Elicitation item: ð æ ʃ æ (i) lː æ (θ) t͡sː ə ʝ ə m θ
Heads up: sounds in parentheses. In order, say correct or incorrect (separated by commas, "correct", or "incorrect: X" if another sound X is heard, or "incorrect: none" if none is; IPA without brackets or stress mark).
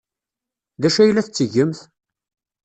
incorrect: j, correct